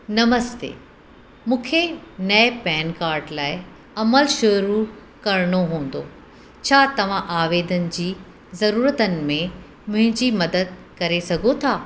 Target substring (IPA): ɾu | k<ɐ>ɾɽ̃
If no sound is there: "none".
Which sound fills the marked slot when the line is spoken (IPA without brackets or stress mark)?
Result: ɐ